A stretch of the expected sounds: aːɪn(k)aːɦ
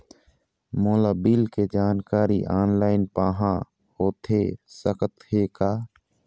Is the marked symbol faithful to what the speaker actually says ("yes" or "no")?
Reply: no